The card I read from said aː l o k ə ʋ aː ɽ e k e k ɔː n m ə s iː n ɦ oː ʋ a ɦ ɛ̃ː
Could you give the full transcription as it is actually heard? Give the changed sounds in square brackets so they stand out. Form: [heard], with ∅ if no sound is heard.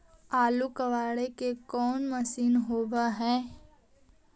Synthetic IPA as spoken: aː l [u] k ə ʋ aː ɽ e k e k ɔː n m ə s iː n ɦ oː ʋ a ɦ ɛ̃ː